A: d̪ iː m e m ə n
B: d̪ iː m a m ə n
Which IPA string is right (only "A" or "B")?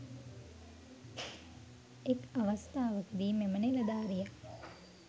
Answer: A